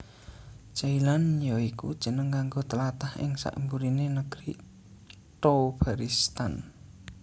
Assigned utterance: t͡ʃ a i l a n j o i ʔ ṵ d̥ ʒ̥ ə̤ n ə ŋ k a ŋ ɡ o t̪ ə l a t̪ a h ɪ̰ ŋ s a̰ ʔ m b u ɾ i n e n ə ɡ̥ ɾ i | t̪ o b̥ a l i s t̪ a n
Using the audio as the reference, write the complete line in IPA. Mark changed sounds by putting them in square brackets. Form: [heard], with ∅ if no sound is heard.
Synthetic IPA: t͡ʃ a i l a n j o i [k] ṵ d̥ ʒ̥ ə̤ n ə ŋ k a ŋ ɡ o t̪ ə l a t̪ a h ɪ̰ ŋ s a̰ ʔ m b u ɾ i n e n ə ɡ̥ ɾ i | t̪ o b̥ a [ɾ] i s t̪ a n